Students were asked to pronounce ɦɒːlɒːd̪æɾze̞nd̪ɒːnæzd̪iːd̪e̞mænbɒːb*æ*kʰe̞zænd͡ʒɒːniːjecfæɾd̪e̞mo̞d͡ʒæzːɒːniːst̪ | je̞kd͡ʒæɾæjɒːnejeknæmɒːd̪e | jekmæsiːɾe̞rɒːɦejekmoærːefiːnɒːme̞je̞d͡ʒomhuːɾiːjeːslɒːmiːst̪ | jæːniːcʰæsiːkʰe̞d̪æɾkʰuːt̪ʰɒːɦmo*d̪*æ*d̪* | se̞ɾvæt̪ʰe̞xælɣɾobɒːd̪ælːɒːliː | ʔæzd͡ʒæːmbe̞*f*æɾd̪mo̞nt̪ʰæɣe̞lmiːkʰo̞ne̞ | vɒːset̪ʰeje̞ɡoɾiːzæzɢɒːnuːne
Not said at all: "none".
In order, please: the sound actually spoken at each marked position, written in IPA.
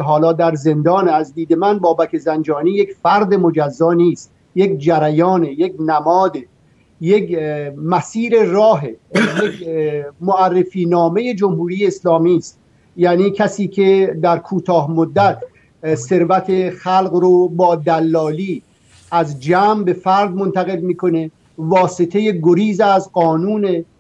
æ, d̪ː, t̪, f

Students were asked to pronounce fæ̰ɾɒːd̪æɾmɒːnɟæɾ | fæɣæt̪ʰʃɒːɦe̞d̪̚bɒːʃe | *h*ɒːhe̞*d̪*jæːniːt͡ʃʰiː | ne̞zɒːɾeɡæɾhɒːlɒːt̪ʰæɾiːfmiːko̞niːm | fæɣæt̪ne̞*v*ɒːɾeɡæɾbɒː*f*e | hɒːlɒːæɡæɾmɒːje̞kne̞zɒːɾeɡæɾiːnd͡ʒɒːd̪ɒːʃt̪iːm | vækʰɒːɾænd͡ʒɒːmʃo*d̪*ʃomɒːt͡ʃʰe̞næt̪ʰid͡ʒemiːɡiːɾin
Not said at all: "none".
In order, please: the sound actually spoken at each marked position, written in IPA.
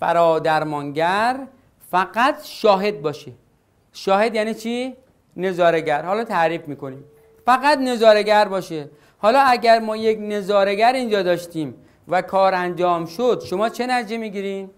ʃ, d̪, z, ʃ, d̪

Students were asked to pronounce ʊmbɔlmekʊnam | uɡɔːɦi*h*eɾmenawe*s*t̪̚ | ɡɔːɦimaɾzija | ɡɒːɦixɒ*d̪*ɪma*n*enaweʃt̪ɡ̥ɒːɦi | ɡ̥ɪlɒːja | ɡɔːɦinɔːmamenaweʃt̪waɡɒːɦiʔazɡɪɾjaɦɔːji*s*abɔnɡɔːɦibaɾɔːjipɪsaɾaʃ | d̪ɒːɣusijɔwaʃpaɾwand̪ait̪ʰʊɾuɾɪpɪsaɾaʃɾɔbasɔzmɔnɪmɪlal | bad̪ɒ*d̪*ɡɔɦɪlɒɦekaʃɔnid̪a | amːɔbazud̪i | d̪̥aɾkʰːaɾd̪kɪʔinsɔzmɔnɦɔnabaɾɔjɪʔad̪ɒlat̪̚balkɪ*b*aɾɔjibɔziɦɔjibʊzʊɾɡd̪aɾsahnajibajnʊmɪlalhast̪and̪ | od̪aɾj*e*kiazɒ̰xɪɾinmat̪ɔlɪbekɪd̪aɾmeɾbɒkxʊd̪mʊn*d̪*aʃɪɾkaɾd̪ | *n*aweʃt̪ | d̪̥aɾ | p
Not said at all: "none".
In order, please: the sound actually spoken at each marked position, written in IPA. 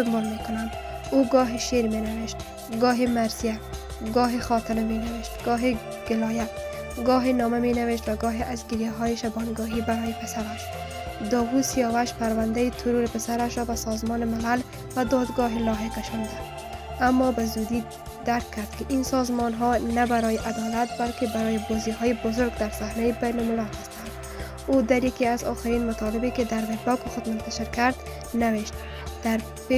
ʃ, ʃ, t̪, m, ʃ, d̪, b, a, t̪, n

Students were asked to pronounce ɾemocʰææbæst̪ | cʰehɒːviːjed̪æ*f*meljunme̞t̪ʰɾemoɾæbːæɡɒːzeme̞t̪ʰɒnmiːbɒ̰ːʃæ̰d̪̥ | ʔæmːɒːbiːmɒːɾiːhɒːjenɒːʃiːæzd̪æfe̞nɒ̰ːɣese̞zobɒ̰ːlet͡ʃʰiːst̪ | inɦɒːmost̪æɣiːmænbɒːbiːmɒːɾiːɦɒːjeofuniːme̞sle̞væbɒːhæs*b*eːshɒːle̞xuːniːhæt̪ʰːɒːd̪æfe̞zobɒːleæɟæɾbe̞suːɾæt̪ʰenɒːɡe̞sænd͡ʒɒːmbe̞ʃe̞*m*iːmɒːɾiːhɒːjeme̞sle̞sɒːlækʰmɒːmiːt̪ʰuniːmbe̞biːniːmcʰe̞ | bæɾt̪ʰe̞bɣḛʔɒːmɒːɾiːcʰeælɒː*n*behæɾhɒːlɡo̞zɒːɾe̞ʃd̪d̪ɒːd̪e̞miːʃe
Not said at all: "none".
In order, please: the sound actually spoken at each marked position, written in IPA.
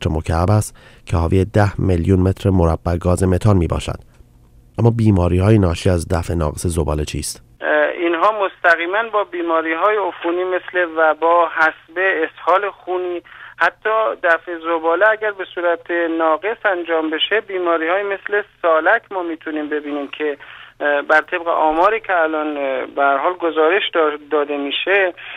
h, b, b, n

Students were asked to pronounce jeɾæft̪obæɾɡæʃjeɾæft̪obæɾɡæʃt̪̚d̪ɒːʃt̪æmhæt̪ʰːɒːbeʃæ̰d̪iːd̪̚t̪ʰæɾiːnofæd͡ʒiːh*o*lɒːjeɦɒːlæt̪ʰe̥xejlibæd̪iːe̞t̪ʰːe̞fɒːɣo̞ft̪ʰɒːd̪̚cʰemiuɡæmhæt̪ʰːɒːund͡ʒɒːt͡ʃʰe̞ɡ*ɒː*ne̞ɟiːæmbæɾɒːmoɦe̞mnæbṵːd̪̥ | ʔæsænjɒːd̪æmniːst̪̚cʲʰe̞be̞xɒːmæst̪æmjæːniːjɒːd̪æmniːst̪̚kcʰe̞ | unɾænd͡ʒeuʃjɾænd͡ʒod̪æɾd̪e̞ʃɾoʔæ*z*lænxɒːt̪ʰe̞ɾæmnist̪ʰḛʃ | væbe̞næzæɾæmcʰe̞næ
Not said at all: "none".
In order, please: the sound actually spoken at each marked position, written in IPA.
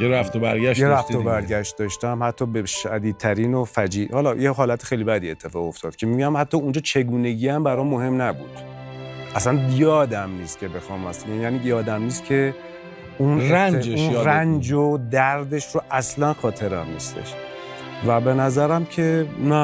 ɒ, uː, s

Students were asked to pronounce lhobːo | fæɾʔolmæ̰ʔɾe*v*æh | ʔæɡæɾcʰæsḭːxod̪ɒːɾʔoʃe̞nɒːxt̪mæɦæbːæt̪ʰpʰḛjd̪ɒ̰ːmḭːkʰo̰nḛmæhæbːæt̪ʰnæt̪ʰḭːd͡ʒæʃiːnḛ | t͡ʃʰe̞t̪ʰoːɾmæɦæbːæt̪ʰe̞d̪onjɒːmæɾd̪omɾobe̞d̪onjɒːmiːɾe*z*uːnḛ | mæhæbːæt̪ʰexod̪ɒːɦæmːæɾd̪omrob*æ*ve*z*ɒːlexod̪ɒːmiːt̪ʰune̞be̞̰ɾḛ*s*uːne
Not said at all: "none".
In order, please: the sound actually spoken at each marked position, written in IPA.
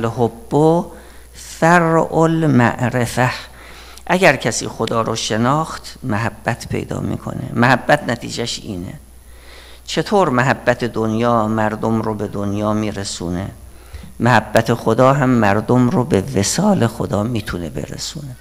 f, s, e, s, s

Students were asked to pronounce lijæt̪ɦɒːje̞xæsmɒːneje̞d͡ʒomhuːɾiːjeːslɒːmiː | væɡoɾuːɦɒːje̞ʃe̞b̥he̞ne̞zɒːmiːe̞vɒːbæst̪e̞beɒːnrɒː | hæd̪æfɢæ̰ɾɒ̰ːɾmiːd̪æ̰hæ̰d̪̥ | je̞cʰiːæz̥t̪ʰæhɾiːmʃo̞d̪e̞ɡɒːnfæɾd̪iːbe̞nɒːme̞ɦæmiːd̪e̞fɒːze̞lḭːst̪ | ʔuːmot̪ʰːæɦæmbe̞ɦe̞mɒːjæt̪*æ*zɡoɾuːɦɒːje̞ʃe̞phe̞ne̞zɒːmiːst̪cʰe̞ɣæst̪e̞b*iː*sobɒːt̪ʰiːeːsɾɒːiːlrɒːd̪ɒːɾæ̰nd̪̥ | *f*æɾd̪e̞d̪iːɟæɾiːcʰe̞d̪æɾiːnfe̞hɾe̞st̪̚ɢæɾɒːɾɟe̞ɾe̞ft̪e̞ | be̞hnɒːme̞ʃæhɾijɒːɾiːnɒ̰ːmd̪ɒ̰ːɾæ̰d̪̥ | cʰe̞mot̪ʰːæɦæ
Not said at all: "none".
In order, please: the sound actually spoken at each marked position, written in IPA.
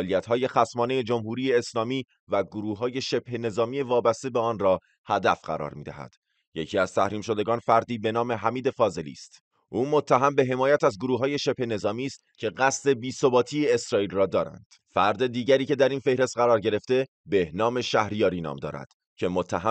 æ, iː, f

